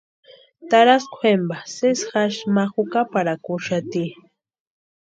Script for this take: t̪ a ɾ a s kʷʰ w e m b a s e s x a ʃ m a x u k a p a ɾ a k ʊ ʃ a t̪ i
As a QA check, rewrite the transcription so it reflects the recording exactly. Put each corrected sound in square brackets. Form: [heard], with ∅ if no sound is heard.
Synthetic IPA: t̪ a ɾ a s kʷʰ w e m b a s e s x a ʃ m a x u k a p a ɾ a k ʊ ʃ a t̪ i